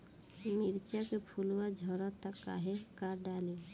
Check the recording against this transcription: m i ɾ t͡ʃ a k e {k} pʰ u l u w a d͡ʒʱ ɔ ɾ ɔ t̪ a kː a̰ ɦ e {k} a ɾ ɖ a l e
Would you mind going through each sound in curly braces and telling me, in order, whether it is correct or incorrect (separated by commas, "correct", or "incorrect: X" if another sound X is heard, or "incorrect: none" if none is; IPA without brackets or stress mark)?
incorrect: none, correct